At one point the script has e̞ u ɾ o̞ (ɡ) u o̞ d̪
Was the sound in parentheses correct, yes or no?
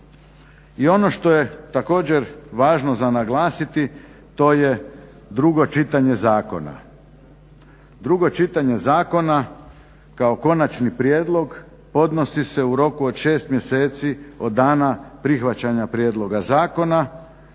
no